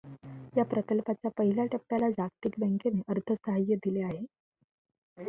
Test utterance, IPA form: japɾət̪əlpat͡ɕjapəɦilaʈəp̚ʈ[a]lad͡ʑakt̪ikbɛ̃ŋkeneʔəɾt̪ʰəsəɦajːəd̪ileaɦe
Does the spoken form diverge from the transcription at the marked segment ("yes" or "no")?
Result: no